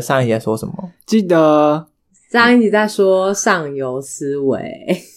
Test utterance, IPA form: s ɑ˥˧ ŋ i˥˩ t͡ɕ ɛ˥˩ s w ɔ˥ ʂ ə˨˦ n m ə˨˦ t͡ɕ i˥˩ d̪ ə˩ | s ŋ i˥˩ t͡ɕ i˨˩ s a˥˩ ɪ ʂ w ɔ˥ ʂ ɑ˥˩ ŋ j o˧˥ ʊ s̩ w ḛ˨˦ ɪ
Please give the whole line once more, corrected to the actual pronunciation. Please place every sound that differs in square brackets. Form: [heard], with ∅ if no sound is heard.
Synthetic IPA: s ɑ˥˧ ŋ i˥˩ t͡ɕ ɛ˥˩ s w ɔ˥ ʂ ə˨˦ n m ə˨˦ t͡ɕ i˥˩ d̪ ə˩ | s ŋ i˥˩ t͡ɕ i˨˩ [t͡s] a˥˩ ɪ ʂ w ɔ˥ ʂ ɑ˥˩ ŋ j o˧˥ ʊ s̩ w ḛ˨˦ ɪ